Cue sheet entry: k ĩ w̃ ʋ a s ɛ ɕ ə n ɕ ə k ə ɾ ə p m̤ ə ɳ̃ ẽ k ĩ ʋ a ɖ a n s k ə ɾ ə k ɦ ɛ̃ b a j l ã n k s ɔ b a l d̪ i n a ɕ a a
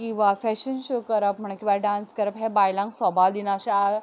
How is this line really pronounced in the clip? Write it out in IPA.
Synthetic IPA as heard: k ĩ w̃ ʋ a f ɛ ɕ ə n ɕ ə k ə ɾ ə p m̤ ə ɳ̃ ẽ k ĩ ʋ a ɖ a n s k ə ɾ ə p ɦ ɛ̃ b a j l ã ŋ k s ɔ b a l d̪ i n a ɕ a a

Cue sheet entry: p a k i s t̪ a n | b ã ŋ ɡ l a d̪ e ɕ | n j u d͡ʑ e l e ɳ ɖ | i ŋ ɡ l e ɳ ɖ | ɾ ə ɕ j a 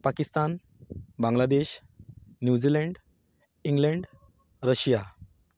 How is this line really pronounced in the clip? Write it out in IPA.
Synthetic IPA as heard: p a k i s t̪ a n | b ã ŋ ɡ l a d̪ e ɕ | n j u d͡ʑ i l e ɳ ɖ | i ŋ ɡ l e ɳ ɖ | ɾ ə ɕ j a

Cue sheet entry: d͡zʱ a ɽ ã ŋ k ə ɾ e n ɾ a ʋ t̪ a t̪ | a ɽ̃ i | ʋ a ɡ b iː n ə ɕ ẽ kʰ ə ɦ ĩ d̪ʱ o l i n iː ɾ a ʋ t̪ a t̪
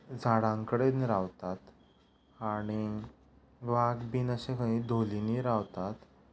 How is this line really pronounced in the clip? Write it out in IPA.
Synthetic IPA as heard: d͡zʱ a ɽ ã ŋ k ə ɽ e n ɾ a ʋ t̪ a t̪ | a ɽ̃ i | ʋ a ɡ b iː n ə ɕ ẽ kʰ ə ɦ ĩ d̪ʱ o l i n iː ɾ a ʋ t̪ a t̪

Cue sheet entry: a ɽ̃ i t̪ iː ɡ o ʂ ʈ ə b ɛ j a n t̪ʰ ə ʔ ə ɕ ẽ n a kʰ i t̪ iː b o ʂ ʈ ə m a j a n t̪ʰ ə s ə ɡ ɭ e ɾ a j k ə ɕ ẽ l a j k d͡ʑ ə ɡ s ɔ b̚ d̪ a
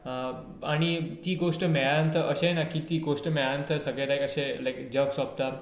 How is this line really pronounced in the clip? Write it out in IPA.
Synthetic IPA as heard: a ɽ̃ i t̪ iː ɡ o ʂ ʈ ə m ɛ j a n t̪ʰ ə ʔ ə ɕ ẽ n a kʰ i t̪ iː ɡ o ʂ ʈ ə m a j a n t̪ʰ ə s ə ɡ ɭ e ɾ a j k ə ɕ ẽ l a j k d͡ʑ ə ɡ s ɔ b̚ t̪ a

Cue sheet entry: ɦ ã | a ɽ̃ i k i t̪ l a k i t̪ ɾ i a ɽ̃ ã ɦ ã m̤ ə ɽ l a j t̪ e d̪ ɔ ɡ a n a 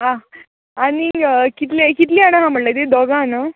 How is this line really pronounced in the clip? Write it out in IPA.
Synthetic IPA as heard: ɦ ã | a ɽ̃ i k i t̪ l e k i t̪ l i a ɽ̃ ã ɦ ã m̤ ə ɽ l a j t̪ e d̪ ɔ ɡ a n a

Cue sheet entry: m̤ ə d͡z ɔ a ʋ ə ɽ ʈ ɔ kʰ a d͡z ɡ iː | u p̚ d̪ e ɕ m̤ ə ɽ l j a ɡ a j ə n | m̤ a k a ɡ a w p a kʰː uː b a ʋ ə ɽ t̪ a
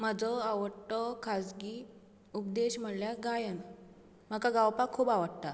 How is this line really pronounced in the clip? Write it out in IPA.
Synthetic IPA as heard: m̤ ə d͡z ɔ a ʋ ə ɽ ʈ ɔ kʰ a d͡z ɡ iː | u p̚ d̪ e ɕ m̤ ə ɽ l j a ɡ a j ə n | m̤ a k a ɡ a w p a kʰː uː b a ʋ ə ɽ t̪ a

